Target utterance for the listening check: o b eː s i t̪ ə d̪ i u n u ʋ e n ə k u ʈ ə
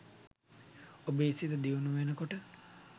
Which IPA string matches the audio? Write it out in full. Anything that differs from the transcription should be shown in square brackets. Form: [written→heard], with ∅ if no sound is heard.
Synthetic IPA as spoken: o b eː s i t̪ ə d̪ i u n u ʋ e n ə k [u→o] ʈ ə

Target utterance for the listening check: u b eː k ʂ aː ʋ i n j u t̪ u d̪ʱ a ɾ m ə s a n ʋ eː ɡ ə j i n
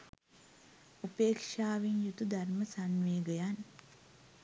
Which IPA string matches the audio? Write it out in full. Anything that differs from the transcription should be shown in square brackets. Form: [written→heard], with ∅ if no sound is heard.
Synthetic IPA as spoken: u [b→p] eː k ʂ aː ʋ i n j u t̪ u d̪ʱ a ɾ m ə s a n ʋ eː ɡ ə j [i→a] n

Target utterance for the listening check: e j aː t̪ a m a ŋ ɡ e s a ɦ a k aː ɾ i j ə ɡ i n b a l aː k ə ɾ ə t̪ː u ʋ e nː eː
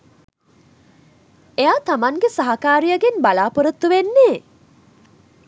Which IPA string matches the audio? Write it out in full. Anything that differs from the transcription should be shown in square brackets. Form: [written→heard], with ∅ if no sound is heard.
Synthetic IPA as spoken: e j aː t̪ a m a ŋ ɡ e s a ɦ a k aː ɾ i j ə ɡ [i→e] n b a l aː [k→p] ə ɾ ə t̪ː u ʋ e nː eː

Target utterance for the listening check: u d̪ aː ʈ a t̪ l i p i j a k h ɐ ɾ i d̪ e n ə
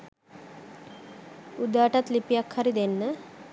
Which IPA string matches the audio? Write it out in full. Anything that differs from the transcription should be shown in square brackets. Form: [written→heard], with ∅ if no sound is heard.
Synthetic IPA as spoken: u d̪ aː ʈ a t̪ l i p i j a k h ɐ ɾ i d̪ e [n→nː] ə

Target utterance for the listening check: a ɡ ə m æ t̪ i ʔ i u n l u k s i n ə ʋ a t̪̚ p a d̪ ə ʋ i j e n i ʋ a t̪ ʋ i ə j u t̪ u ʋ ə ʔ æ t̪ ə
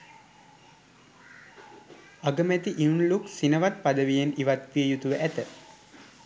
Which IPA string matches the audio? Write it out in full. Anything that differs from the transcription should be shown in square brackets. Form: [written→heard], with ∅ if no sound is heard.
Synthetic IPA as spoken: a ɡ ə m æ t̪ i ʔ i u n l u k s i n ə ʋ a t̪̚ p a d̪ ə ʋ i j e n i ʋ a t̪ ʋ i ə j u t̪ u ʋ ə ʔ æ t̪ ə

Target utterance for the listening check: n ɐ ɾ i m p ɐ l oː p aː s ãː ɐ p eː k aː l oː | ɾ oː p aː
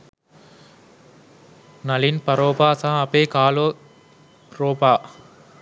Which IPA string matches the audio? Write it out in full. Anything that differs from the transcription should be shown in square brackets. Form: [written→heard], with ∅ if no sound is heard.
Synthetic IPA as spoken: n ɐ [ɾ→l] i [m→n] p ɐ [l→ɾ] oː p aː s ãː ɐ p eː k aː l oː | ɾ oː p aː

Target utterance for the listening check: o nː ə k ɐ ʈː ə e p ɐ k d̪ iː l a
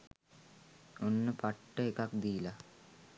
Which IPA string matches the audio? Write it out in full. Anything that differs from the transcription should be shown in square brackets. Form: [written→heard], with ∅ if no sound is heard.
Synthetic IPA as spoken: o nː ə [k→p] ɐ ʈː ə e [p→k] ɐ k d̪ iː l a

